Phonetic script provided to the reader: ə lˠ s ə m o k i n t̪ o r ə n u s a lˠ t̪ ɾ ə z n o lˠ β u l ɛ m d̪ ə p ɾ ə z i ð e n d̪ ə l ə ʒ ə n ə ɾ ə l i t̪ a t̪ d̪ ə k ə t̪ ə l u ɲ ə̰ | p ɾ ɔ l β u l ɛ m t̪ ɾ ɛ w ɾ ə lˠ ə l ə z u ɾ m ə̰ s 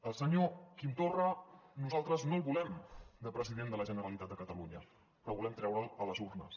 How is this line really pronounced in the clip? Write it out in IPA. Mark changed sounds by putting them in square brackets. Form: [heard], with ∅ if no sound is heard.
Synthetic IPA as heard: ə lˠ s ə [ɲ] o k i n t̪ o r ə n u [z] a lˠ t̪ ɾ ə z n o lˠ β u l ɛ m d̪ ə p ɾ ə z i ð e n d̪ ə l ə ʒ ə n ə ɾ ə l i t̪ a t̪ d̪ ə k ə t̪ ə l u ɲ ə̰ | p ɾ ɔ [∅] β u l ɛ m t̪ ɾ ɛ w ɾ ə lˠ ə l ə z u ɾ [n] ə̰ s